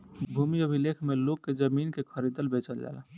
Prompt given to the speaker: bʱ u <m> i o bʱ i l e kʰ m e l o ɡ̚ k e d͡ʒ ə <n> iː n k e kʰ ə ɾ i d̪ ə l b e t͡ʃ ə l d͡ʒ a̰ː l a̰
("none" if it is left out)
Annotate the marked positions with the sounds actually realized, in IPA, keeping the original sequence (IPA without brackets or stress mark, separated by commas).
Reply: m, m